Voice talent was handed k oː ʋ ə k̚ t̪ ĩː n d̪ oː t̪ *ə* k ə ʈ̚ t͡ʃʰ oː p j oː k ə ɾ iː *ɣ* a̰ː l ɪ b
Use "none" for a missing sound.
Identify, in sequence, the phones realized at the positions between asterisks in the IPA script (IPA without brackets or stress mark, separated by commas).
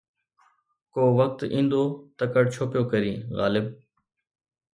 ə, ɣ